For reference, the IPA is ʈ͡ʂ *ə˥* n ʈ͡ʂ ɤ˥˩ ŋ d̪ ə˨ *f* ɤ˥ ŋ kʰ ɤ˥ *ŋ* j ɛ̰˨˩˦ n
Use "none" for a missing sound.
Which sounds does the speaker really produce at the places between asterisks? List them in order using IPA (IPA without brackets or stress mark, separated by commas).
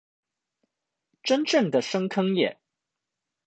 ə˥, ʂ, ŋ